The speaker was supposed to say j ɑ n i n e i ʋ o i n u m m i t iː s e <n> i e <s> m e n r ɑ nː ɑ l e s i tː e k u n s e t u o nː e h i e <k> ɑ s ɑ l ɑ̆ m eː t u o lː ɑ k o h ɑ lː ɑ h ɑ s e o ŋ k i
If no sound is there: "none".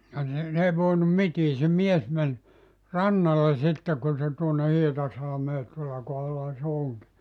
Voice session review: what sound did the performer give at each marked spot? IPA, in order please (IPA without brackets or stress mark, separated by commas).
m, s, t